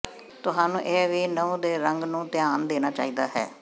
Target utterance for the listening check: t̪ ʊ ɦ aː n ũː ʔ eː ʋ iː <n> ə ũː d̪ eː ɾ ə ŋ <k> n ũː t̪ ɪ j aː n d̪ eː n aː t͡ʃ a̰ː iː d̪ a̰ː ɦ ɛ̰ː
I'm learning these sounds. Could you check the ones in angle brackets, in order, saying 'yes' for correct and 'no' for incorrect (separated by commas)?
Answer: yes, no